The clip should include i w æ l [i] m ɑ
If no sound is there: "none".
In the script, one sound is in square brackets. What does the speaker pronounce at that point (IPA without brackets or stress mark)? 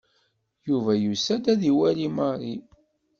i